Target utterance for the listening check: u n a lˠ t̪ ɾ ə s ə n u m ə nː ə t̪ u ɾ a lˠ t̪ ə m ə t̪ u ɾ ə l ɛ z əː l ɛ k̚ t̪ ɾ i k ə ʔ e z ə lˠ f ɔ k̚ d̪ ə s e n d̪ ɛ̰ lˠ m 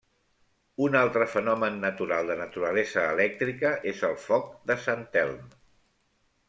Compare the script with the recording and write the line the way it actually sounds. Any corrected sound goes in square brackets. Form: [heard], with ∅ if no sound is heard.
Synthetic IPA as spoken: u n a lˠ t̪ ɾ ə [f] ə n [ɔ] m ə nː ə t̪ u ɾ a lˠ [d̪] ə [n] ə t̪ u ɾ ə l ɛ z əː l ɛ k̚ t̪ ɾ i k ə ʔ e z ə lˠ f ɔ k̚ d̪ ə s [a] n [t̪] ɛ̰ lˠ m